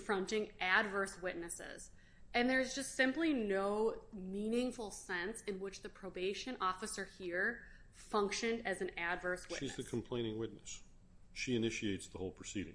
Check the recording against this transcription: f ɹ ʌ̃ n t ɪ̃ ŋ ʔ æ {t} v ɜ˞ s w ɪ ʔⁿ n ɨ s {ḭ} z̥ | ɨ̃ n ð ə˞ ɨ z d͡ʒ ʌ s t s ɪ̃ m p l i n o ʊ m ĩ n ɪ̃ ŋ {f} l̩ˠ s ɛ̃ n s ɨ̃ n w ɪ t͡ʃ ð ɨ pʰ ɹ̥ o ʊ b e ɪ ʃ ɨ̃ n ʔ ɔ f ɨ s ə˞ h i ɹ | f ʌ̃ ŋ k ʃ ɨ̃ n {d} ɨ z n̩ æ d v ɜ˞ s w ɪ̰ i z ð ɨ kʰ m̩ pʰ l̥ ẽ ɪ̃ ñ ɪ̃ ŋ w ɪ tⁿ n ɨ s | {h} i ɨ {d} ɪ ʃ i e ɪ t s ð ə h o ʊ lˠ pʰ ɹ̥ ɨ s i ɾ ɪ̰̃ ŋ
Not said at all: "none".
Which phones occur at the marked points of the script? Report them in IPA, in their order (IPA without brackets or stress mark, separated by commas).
d, ɪ̰, f, d, ʃ, n